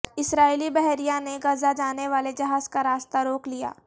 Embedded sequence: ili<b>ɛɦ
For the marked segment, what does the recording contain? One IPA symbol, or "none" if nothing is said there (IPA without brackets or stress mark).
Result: b